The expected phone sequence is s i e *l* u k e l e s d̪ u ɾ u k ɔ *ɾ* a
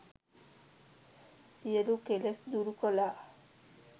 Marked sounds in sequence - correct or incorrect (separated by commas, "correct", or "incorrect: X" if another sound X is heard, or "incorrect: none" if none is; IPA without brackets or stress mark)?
correct, incorrect: l